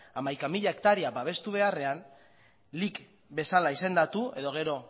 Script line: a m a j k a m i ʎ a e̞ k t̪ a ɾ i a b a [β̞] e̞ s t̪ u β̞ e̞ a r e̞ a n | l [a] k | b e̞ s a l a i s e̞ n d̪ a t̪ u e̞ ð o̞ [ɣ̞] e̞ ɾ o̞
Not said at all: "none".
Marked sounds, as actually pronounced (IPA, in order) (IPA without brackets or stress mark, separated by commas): β̞, i, ɣ̞